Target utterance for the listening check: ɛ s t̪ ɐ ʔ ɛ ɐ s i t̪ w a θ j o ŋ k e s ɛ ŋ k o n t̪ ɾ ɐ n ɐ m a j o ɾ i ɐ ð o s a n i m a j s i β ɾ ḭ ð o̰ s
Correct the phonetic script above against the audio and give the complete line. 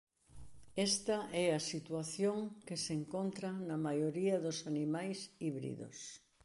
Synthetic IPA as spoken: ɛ s t̪ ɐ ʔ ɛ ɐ s i t̪ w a θ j o ŋ k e s e ŋ k o n t̪ ɾ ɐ n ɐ m a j o ɾ i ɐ ð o s a n i m a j s i β ɾ ḭ ð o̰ s